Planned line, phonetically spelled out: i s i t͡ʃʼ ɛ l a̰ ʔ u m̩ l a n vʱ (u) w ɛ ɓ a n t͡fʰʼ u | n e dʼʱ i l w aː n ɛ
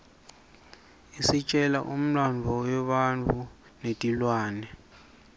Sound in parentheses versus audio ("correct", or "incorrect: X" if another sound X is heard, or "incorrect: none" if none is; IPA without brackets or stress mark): incorrect: ɔ